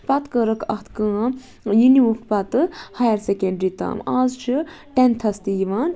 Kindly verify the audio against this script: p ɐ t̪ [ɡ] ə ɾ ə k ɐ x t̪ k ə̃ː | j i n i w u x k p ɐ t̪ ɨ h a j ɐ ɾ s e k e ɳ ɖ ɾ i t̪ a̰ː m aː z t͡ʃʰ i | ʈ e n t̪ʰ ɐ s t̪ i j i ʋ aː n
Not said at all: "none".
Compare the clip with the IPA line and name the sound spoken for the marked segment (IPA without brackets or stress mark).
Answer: k